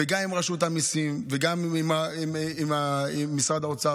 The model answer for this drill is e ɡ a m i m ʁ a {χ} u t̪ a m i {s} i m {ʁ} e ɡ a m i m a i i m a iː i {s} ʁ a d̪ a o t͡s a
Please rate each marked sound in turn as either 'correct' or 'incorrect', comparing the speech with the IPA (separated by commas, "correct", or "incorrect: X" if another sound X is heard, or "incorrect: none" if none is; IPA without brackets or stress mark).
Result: incorrect: ʃ, correct, incorrect: v, correct